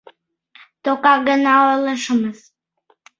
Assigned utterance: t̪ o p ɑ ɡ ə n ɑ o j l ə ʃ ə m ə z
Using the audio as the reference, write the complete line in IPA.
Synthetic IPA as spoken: t̪ o k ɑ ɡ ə n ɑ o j l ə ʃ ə m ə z